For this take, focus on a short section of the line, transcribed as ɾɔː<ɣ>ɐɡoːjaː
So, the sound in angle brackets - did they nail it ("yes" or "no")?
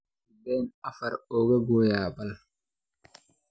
yes